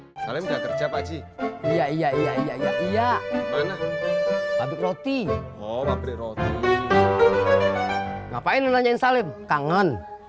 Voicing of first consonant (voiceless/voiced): voiceless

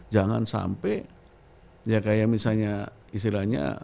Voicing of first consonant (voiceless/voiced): voiced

